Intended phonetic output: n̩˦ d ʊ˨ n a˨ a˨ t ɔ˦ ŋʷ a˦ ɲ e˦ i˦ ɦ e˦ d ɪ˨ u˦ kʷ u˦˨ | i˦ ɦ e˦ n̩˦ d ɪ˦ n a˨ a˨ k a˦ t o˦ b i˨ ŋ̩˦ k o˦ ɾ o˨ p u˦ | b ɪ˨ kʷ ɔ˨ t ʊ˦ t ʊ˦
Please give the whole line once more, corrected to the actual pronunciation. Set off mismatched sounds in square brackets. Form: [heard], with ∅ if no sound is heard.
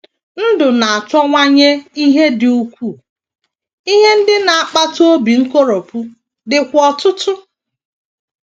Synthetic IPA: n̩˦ d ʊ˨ n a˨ a˨ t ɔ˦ ŋʷ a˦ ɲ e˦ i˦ ɦ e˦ d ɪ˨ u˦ kʷ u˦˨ | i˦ ɦ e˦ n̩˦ d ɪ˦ n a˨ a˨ [k͡p] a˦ t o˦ b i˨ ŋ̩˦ k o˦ ɾ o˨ p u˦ | [d] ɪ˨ kʷ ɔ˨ t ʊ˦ t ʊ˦